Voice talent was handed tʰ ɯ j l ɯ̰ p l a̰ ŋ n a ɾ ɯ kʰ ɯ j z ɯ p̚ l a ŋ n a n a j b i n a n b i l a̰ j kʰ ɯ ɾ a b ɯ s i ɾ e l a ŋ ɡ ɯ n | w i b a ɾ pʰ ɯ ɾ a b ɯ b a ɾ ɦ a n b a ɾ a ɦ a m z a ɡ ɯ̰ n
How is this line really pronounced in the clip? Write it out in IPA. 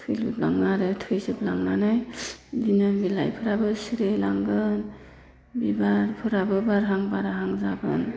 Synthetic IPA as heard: tʰ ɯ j l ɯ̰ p l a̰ ŋ n a ɾ ɯ tʰ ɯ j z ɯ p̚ l a ŋ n a n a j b i n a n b i l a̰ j pʰ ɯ ɾ a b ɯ s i ɾ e l a ŋ ɡ ɯ n | b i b a ɾ pʰ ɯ ɾ a b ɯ b a ɾ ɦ a ŋ b a ɾ a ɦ a ŋ z a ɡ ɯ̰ n